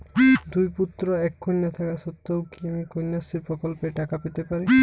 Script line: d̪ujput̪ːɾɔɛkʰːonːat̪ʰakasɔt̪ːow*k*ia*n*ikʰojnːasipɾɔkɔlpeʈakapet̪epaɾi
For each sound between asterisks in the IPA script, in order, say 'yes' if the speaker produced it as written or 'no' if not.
yes, no

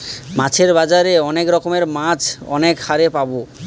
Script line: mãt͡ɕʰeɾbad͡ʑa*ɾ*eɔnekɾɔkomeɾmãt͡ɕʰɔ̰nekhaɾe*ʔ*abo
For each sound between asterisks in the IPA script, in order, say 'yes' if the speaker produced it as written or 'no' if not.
yes, no

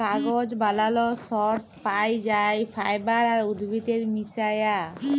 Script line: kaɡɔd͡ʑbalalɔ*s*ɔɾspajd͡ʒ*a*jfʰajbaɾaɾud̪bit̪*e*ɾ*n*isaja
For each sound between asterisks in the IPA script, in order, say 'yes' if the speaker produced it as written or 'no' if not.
yes, yes, yes, no

